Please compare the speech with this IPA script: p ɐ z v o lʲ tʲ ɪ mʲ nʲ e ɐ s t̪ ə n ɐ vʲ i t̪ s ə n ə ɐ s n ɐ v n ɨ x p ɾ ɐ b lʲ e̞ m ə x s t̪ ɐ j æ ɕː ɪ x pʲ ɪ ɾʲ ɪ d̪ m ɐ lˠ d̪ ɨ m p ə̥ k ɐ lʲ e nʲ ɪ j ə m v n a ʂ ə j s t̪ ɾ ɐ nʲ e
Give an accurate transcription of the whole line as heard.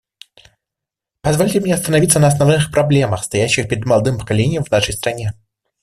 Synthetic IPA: p ɐ z v o lʲ tʲ ɪ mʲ nʲ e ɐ s t̪ ə n ɐ vʲ i t̪ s ə n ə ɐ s n ɐ v n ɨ x p ɾ ɐ b lʲ e̞ m ə x s t̪ ɐ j æ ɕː ɪ x pʲ ɪ ɾʲ ɪ d̪ m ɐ lˠ d̪ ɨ m p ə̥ k ɐ lʲ e nʲ ɪ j ə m v n a ʂ ə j s t̪ ɾ ɐ nʲ e